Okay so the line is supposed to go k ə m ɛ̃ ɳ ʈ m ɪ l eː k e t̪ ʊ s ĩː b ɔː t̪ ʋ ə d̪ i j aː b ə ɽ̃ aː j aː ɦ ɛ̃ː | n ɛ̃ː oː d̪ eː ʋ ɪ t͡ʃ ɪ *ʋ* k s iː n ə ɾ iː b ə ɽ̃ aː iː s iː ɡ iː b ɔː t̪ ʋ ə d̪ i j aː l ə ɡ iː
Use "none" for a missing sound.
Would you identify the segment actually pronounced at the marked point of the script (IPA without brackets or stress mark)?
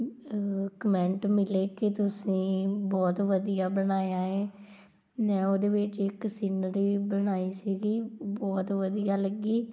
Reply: none